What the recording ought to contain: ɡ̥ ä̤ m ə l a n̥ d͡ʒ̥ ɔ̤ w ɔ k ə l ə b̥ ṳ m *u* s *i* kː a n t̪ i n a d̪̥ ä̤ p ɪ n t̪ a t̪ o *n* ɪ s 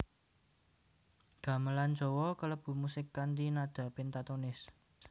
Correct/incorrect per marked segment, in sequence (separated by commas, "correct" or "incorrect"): correct, incorrect, correct